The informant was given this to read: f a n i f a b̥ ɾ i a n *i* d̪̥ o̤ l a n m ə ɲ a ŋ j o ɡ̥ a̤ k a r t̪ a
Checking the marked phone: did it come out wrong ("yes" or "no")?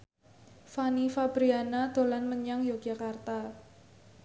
yes